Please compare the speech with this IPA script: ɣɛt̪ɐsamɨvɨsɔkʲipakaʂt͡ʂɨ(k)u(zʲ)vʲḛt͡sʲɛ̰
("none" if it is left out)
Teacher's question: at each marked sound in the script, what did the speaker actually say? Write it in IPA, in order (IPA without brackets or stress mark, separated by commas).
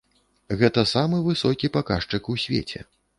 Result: k, sʲ